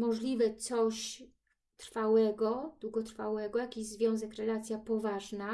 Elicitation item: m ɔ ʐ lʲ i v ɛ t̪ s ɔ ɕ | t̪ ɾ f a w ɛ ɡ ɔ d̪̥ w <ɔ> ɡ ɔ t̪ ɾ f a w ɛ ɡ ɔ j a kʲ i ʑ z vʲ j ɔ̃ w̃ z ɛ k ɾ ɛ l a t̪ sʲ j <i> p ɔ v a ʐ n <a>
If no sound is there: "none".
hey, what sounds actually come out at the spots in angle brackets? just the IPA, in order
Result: u, a, a

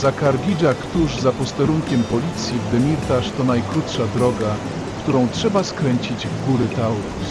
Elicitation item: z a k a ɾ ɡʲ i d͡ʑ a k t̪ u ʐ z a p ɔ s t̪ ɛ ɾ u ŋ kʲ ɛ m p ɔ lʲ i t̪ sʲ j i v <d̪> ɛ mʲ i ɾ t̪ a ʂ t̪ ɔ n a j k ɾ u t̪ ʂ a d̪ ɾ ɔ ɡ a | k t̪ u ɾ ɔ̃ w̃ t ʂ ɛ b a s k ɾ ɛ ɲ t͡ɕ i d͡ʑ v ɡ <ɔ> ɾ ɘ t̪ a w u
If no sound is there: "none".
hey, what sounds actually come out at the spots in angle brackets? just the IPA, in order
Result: d̪, u

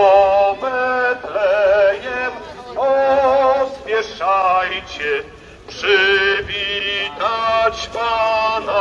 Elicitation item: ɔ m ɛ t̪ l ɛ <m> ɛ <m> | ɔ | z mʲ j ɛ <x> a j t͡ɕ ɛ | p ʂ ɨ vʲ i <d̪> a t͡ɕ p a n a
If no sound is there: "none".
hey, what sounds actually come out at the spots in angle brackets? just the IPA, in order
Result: ɲ, m, ʂ, t̪

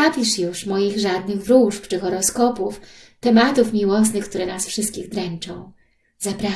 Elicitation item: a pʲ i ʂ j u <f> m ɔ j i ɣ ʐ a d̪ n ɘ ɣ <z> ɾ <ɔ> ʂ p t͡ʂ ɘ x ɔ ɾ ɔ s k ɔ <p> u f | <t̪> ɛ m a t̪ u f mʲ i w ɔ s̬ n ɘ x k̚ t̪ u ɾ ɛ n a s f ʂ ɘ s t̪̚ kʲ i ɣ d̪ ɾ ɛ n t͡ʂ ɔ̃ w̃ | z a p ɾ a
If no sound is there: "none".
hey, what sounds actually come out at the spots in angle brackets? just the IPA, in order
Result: ʂ, v, u, p, t̪

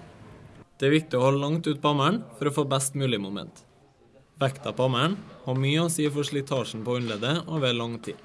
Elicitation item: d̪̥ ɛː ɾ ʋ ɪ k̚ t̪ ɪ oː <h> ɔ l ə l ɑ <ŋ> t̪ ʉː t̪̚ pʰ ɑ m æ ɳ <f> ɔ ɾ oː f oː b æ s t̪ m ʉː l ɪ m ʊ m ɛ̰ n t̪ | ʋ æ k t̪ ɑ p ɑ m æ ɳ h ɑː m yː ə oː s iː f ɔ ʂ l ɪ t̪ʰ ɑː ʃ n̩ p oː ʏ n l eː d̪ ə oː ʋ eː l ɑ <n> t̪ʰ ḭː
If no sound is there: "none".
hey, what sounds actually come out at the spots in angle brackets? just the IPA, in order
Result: h, ŋ, f, ŋ

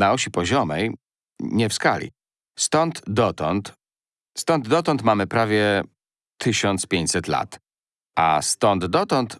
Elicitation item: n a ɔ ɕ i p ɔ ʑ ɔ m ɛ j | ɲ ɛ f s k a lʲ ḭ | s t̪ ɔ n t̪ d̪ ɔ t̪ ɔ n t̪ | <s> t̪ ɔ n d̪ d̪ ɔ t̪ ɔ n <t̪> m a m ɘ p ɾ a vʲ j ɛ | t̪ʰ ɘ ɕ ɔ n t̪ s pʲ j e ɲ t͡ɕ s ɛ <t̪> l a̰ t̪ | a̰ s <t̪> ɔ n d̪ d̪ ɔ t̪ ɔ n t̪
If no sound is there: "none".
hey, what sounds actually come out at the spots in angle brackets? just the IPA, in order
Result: s, t̪, t̪, t̪

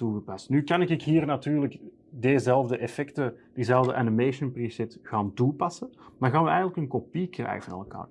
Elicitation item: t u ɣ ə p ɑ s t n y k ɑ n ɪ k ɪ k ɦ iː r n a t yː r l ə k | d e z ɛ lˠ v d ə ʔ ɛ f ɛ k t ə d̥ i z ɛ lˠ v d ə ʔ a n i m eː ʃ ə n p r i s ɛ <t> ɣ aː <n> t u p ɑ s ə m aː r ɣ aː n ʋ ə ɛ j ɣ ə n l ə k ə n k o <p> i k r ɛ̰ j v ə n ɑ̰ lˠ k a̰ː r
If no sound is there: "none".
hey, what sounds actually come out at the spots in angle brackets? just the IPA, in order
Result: t, n, p

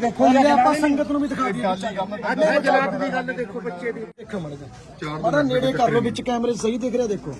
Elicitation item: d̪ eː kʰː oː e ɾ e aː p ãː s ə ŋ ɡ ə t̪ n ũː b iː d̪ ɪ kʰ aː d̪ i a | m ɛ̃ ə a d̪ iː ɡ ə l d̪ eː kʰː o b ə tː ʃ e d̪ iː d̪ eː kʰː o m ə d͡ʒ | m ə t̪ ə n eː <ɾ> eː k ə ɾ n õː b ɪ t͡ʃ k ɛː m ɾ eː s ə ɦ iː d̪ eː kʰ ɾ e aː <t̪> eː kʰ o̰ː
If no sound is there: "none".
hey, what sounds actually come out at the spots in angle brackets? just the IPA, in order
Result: ɽ, d̪

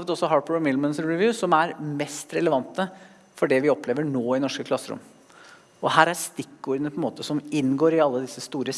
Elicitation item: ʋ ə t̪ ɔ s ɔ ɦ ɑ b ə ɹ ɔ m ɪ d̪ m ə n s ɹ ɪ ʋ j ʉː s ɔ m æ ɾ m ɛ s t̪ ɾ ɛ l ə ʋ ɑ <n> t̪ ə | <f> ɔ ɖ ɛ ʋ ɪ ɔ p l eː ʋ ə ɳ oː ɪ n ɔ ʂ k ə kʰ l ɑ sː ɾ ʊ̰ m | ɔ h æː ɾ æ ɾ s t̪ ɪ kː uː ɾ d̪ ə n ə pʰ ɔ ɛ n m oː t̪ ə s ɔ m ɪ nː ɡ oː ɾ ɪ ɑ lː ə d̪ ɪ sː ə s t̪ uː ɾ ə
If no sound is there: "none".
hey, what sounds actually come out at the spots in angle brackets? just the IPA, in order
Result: n, f

